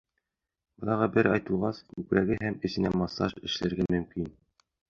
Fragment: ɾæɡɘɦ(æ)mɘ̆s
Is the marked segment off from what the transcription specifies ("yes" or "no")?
no